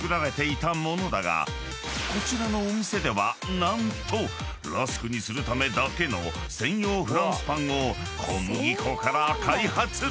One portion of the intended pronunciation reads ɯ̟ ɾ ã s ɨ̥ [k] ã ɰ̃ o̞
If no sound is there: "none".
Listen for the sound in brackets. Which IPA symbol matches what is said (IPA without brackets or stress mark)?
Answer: p